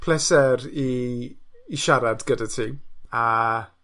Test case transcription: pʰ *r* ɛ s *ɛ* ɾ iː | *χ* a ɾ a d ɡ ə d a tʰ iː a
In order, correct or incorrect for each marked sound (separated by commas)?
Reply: incorrect, correct, incorrect